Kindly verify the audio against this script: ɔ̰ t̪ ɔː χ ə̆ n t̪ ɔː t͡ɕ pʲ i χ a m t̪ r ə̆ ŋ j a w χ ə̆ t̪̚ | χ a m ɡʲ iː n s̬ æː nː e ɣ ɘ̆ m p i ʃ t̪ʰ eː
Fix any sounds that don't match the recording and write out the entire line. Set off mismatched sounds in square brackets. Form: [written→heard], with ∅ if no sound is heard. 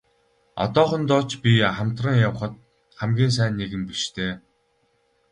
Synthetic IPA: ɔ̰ t̪ ɔː χ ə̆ n t̪ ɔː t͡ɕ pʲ i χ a m t̪ r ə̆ ŋ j a w χ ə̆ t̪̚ | χ [a→æ] m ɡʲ iː n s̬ æː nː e ɣ ɘ̆ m p i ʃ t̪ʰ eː